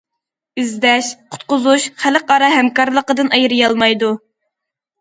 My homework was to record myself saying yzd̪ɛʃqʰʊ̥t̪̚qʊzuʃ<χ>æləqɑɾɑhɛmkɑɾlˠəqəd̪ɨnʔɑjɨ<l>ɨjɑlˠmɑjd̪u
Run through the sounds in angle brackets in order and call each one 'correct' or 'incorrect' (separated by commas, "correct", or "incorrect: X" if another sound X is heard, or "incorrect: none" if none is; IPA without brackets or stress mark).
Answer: correct, incorrect: ɾ